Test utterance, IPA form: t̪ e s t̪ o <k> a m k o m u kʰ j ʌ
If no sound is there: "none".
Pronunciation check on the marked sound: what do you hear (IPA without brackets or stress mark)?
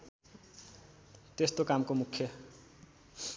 k